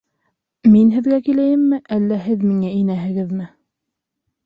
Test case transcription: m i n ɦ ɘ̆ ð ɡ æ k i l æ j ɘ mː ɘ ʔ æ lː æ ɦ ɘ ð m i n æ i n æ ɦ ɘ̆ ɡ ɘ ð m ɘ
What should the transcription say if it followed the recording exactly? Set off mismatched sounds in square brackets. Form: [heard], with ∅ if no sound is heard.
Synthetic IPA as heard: m i n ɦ ɘ̆ ð ɡ æ k i l æ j ɘ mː ɘ ʔ æ lː æ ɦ ɘ ð m i [ŋ] æ i n æ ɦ ɘ̆ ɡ ɘ ð m ɘ